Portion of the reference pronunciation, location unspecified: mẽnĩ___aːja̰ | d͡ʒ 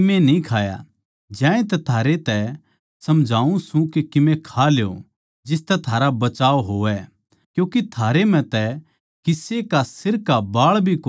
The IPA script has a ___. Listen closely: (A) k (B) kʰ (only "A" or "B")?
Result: B